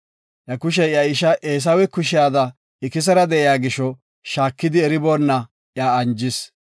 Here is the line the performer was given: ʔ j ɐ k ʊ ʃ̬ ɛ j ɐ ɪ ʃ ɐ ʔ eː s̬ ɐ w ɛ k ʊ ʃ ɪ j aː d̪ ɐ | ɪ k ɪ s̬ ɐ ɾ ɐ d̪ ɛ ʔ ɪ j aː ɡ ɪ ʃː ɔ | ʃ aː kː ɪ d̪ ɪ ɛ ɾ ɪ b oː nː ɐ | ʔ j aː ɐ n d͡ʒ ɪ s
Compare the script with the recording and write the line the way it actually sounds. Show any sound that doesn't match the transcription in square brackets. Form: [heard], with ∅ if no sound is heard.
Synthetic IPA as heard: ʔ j ɐ k ʊ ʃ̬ ɛ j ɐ ɪ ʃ ɐ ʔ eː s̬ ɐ w ɛ k ʊ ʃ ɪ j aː d̪ ɐ | ɪ k ɪ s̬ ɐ ɾ ɐ d̪ ɛ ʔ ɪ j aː ɡ ɪ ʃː ɔ | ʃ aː kː ɪ d̪ ɪ ɛ ɾ ɪ b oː nː ɐ | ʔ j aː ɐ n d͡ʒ ɪ s